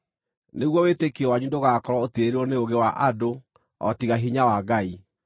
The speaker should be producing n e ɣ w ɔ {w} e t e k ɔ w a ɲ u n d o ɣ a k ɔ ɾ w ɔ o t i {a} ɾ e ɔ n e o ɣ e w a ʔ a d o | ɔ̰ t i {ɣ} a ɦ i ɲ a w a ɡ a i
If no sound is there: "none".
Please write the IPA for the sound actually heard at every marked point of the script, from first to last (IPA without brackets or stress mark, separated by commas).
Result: w, e, ɣ